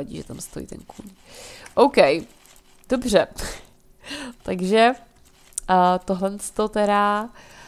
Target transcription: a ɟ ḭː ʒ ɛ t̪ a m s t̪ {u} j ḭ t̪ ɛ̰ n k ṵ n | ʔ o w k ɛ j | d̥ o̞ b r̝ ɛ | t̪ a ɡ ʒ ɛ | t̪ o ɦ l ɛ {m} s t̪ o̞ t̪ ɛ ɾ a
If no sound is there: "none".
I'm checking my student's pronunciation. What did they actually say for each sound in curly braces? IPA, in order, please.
o, n

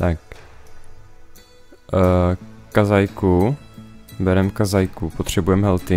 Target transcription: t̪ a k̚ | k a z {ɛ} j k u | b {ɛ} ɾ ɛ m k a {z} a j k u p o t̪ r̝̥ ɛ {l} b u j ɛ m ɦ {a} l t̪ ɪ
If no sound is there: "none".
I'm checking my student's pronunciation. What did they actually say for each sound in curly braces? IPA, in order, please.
a, ɛ, z, none, ɛ

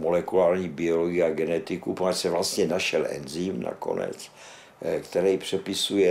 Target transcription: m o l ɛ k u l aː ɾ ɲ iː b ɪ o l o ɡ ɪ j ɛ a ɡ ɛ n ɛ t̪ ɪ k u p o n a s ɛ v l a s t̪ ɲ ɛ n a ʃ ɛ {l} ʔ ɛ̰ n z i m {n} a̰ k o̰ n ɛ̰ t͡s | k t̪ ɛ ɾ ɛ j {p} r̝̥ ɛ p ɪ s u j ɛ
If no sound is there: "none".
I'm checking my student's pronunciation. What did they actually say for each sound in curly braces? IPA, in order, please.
l, n, p

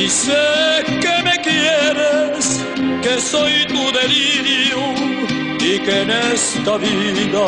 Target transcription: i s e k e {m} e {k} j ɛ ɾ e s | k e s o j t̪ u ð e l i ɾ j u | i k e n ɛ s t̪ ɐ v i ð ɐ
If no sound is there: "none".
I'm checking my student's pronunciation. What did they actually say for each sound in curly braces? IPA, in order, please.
m, k

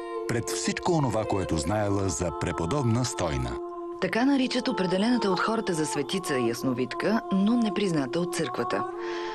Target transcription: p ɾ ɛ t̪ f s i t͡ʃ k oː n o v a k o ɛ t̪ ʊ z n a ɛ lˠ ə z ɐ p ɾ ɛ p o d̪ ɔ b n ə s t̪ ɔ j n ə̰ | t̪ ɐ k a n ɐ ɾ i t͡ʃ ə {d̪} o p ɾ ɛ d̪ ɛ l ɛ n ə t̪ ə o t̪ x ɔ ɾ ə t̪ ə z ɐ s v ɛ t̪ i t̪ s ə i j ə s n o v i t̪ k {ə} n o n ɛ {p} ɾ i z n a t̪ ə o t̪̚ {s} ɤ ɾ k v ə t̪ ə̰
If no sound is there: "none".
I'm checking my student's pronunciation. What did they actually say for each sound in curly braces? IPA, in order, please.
t̪, ə, p, s

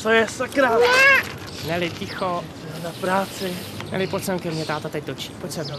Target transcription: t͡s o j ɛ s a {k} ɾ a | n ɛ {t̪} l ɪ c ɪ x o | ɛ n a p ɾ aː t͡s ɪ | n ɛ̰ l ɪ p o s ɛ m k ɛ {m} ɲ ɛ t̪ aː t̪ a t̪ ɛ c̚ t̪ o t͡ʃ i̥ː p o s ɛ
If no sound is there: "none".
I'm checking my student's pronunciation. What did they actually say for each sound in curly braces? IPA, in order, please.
k, none, m

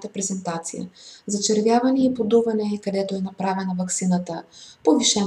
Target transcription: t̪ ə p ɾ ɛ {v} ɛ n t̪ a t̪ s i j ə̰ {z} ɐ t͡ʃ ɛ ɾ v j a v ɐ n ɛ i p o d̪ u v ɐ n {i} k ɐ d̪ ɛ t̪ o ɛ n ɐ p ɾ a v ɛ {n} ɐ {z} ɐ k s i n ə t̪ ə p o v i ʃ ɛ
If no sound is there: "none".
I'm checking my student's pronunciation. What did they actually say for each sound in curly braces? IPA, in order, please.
z, z, ɛ, n, v

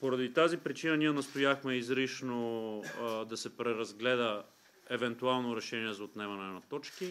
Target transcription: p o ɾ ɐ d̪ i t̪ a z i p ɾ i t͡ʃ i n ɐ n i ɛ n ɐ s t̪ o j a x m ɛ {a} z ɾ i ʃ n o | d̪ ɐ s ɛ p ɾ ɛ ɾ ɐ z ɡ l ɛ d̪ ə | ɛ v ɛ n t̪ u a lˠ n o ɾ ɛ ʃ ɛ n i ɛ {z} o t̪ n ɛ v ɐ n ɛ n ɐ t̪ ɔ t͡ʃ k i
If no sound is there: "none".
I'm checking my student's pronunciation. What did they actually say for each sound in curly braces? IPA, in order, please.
i, z

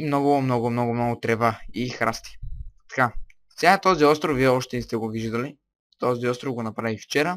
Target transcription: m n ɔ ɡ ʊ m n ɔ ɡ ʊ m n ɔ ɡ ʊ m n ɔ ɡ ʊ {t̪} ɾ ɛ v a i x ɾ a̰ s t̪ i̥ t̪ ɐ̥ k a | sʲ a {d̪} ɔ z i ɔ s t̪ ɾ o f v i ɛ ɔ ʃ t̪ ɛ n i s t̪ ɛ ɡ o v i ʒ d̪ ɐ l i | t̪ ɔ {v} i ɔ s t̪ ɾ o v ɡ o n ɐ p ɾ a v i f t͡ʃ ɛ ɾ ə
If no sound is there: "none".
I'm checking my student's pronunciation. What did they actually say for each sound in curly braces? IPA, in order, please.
t̪, t̪, z

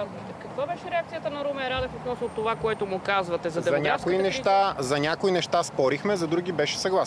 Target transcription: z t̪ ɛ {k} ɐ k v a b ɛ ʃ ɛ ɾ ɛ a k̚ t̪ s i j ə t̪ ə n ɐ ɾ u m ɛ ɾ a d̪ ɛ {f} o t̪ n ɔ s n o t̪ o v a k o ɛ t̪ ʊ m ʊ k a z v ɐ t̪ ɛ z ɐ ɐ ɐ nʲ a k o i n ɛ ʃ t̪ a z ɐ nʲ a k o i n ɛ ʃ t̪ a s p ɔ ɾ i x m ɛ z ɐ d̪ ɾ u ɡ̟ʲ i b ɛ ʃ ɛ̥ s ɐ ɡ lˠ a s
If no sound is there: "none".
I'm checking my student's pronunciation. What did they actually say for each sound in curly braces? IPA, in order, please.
k, f

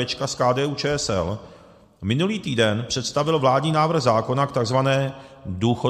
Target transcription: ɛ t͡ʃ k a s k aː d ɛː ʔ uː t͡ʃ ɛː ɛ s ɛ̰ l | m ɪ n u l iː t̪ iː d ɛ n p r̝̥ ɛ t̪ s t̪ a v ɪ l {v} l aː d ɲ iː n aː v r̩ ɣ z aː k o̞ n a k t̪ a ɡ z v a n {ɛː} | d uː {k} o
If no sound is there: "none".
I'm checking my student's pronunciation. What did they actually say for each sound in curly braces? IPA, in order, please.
v, ɛː, x

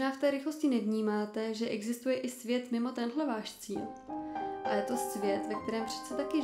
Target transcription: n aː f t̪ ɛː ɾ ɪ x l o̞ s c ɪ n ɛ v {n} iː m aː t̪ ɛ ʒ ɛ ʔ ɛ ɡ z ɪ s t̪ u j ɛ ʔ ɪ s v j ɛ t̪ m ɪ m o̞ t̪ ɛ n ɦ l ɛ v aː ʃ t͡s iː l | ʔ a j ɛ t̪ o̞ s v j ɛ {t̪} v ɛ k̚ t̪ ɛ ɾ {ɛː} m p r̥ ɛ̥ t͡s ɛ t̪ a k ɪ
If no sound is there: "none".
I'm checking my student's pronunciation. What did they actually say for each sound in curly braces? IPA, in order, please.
ɲ, t̪, ɛː

